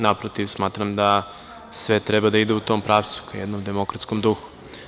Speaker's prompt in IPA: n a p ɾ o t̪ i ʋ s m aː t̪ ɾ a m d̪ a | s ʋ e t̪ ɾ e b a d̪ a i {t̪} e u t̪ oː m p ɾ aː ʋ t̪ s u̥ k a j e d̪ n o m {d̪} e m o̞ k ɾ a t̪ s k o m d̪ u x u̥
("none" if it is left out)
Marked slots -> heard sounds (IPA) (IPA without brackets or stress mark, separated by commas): d̪, d̪